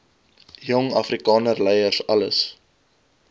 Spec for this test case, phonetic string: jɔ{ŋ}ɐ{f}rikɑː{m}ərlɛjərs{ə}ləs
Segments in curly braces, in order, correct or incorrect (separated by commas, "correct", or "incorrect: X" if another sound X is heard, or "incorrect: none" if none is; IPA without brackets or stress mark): correct, correct, incorrect: n, incorrect: ɐ